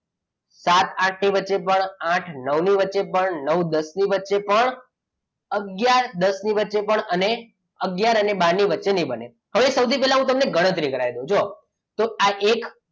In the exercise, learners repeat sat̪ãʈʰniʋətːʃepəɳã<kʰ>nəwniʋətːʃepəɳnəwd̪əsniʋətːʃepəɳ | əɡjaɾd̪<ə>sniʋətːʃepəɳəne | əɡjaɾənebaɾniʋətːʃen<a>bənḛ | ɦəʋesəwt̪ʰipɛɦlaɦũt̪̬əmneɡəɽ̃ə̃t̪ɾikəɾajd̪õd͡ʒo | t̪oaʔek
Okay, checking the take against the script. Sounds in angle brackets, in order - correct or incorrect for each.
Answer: incorrect: ʈʰ, correct, incorrect: i

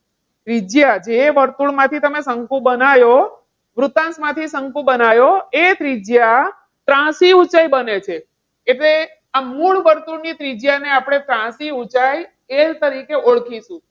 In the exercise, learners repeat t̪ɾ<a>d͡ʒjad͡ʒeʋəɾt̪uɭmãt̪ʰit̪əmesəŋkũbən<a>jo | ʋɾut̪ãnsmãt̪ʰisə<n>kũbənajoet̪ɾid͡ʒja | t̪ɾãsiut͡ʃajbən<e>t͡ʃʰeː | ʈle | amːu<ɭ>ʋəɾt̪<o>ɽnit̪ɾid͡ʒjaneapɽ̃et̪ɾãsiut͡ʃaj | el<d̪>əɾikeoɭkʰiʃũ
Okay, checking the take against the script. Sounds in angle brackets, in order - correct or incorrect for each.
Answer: incorrect: i, correct, incorrect: ŋ, correct, correct, incorrect: u, incorrect: t̪

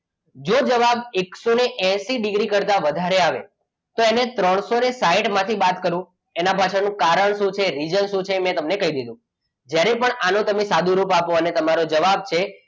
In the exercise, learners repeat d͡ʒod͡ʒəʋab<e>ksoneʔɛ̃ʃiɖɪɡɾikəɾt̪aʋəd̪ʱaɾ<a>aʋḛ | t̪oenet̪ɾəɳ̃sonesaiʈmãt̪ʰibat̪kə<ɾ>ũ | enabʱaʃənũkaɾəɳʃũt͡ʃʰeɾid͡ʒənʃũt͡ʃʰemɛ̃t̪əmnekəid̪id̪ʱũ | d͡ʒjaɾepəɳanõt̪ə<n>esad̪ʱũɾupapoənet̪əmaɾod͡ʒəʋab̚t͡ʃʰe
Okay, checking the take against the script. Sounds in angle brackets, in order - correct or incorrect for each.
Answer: correct, incorrect: e, correct, incorrect: m

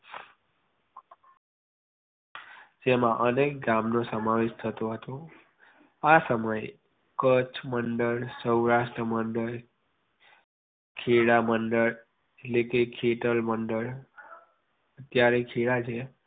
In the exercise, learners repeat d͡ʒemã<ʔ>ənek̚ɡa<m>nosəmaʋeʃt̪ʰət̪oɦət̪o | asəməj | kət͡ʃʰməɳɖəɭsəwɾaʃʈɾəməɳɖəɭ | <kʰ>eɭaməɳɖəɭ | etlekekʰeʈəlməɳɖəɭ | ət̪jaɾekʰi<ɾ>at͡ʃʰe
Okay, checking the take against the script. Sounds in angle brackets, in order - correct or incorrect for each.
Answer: correct, correct, correct, incorrect: ɭ

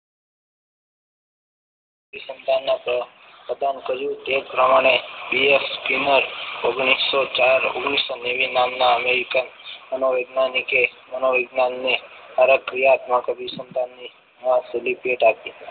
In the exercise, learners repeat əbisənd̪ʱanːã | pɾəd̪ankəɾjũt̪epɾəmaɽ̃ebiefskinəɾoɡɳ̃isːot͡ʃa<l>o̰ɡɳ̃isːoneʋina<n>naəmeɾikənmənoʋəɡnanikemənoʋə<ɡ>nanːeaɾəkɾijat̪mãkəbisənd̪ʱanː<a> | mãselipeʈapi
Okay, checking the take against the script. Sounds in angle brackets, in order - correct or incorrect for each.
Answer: incorrect: ɾ, incorrect: m, correct, incorrect: i

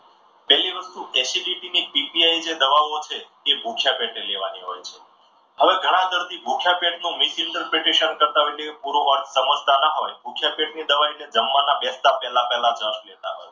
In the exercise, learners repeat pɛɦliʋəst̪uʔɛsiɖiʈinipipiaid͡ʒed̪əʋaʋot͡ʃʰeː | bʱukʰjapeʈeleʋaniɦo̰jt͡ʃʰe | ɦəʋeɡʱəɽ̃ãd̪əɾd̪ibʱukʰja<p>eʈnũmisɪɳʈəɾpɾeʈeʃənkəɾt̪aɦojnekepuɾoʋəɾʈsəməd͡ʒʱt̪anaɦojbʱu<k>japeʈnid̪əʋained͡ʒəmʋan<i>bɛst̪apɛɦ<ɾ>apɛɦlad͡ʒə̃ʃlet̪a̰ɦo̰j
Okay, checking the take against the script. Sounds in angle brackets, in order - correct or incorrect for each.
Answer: correct, incorrect: kʰ, incorrect: a, incorrect: l

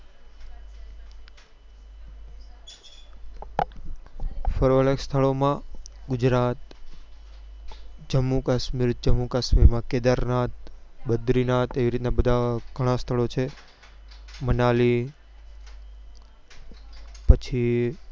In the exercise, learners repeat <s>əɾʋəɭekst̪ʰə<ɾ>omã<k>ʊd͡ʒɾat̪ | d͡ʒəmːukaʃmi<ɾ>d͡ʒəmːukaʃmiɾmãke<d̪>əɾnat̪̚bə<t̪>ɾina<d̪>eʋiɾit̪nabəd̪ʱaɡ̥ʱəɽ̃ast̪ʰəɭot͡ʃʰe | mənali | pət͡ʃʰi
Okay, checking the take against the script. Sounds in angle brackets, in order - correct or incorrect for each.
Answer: incorrect: f, incorrect: ɭ, incorrect: ɡ, correct, correct, incorrect: d̪, incorrect: t̪

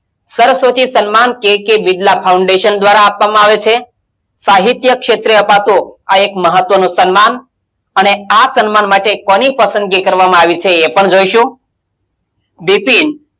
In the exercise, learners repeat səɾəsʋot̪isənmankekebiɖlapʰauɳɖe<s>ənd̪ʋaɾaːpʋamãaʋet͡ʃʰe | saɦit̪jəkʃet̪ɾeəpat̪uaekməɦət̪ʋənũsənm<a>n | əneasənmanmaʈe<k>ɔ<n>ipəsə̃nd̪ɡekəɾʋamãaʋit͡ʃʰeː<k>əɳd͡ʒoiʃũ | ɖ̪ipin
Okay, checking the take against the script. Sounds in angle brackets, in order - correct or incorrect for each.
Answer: incorrect: ʃ, correct, correct, correct, incorrect: p

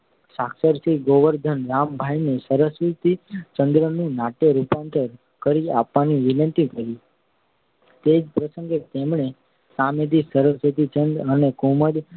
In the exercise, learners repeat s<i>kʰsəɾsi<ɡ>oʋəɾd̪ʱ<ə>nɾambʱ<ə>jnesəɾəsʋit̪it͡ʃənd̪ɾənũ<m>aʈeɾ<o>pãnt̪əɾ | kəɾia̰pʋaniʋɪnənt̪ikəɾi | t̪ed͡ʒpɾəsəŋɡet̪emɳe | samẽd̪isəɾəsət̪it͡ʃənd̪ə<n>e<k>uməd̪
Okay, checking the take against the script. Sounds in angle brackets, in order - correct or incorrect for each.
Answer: incorrect: a, correct, correct, incorrect: a, incorrect: n, incorrect: u, correct, correct

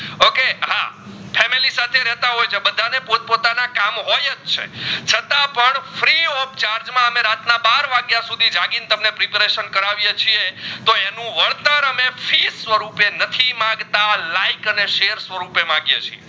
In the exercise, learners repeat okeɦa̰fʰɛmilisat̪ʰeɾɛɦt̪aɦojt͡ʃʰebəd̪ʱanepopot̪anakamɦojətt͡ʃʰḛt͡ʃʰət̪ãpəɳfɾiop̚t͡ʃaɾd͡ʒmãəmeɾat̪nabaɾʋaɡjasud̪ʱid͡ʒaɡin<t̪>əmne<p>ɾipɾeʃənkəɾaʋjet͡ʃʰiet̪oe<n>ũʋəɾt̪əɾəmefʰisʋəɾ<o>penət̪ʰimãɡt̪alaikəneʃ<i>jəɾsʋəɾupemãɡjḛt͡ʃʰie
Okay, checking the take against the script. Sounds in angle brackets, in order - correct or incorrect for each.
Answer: correct, correct, correct, incorrect: u, incorrect: e

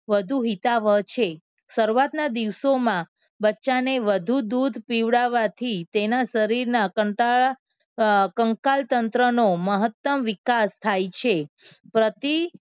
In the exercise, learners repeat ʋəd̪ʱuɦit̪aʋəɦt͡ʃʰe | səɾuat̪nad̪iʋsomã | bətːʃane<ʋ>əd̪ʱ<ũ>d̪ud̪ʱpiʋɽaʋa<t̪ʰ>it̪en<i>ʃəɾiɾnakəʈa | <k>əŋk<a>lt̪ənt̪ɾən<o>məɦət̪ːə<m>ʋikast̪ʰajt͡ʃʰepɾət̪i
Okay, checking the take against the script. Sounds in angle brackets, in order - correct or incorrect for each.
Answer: correct, incorrect: u, correct, incorrect: a, correct, correct, correct, correct

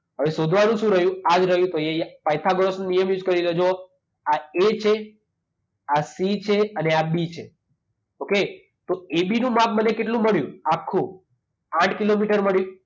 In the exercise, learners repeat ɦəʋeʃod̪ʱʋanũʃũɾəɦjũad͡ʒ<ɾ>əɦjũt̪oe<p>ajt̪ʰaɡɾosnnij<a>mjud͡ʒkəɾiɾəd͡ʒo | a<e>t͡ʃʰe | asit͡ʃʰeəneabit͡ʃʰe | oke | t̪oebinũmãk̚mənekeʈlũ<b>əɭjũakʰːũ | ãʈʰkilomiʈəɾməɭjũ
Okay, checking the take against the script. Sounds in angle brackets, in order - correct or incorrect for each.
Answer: correct, correct, incorrect: ə, correct, incorrect: m

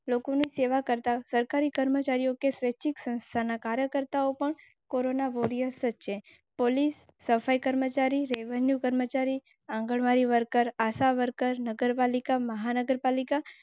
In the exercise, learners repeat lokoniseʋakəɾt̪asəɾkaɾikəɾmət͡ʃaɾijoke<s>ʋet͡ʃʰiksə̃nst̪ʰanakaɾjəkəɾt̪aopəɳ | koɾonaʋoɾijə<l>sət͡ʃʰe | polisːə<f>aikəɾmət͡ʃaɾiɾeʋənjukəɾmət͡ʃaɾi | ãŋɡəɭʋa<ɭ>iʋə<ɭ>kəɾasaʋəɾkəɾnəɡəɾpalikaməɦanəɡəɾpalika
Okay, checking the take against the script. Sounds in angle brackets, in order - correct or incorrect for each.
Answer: correct, incorrect: ɾ, correct, incorrect: ɾ, incorrect: ɾ

